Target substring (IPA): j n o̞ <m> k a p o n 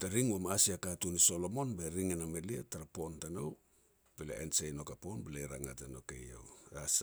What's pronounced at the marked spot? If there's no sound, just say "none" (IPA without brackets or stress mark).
none